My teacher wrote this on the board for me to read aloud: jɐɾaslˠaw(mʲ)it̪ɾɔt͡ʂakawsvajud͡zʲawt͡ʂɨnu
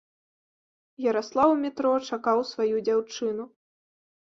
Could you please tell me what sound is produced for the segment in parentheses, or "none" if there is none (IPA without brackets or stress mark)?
mʲ